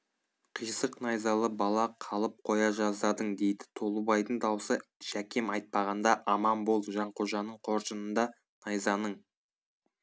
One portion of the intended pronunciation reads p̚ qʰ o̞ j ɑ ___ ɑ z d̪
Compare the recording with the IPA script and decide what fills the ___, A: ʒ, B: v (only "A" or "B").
A